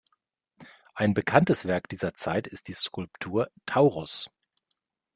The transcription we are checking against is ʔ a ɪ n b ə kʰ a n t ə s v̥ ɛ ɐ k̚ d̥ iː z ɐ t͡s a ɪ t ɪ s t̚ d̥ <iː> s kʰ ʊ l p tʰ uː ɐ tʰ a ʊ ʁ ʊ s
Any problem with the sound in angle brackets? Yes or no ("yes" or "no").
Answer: no